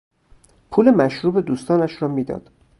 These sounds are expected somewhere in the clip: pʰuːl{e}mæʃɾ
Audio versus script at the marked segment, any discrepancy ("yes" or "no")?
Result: no